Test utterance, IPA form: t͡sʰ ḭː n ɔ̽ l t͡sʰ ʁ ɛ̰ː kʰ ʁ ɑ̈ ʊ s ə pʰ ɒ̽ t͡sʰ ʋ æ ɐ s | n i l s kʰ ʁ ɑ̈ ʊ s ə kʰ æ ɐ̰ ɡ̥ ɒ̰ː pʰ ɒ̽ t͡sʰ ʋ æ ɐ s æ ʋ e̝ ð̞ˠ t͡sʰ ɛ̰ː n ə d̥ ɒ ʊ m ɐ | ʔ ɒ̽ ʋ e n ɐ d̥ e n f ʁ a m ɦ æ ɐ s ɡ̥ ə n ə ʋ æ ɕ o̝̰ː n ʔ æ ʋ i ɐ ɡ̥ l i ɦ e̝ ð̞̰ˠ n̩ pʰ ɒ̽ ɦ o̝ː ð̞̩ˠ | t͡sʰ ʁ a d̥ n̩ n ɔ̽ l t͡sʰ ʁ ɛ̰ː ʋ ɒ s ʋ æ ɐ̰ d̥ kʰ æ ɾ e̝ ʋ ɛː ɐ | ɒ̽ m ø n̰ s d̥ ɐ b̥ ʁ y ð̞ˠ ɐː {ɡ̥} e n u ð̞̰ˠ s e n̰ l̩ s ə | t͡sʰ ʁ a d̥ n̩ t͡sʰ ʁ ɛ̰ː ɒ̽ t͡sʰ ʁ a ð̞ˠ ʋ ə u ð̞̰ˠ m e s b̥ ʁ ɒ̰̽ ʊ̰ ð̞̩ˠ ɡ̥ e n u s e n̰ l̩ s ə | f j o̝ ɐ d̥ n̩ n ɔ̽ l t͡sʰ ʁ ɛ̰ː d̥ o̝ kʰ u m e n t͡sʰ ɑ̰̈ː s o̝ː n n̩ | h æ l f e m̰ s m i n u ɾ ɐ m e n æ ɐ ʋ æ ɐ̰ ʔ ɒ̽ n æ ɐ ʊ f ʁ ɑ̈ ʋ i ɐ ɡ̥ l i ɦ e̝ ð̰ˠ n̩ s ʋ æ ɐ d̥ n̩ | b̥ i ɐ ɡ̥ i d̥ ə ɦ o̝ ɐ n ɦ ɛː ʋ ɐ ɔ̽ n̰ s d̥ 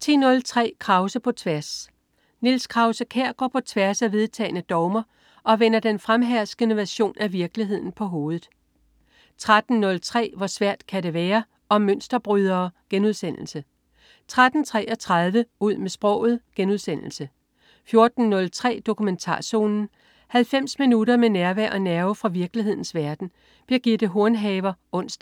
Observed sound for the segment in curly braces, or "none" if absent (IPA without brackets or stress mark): ɡ̥